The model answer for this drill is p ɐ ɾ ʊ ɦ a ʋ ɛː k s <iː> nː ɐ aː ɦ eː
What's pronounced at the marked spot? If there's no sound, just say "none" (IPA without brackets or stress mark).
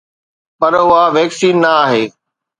iː